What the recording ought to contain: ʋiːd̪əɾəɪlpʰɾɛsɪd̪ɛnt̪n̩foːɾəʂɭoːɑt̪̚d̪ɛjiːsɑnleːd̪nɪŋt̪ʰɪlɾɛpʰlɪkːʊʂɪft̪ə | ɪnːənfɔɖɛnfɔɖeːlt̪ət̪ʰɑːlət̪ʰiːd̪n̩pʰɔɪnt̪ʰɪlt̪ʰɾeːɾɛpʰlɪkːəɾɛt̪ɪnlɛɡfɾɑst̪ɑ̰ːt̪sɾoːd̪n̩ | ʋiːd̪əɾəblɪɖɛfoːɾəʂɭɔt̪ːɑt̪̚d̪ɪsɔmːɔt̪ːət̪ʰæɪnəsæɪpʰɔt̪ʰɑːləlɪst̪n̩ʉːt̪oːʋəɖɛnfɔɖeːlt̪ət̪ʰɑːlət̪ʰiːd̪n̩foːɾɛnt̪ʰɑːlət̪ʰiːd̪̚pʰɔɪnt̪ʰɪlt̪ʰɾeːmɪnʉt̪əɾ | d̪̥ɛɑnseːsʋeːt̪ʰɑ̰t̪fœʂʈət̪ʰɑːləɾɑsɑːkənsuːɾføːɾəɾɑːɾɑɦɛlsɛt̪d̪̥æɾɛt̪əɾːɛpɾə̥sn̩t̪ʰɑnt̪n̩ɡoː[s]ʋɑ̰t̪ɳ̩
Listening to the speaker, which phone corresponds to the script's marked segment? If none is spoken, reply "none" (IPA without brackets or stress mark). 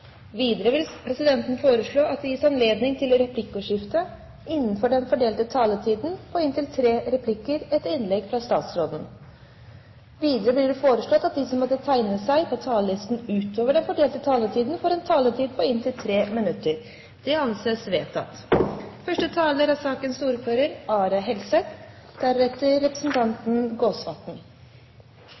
s